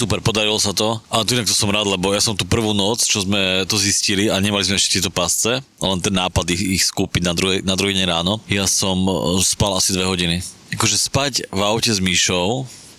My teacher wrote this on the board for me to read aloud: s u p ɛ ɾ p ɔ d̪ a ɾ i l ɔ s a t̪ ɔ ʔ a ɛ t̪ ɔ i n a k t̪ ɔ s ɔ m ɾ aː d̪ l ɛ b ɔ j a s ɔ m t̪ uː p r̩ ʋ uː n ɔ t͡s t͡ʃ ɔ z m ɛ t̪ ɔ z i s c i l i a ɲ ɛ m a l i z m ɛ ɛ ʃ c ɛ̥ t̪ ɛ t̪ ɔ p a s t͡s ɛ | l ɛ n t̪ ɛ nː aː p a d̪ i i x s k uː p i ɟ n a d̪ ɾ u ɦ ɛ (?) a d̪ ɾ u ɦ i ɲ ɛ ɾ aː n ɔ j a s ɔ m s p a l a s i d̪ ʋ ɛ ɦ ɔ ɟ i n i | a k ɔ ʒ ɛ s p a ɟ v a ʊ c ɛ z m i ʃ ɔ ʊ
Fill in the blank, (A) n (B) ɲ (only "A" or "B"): A